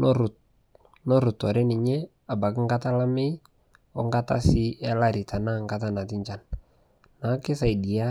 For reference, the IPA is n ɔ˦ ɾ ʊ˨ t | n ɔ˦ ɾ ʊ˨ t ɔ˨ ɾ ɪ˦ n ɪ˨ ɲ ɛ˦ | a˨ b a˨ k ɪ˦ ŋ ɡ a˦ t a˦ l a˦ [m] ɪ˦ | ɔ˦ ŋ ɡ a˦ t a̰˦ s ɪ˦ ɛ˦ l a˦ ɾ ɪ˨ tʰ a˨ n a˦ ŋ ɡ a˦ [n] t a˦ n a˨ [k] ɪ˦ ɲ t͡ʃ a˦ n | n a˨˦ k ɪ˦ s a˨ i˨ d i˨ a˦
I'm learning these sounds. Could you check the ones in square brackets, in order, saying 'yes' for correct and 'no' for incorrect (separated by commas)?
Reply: yes, no, no